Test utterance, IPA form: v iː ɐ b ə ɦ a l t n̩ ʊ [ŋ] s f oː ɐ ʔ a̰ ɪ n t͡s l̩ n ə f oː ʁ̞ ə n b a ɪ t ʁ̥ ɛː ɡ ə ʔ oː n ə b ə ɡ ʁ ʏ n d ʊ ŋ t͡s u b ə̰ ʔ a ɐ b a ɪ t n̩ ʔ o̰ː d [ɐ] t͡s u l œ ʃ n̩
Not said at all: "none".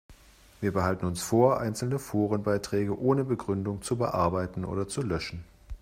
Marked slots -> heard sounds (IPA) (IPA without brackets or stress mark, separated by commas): n, ɐ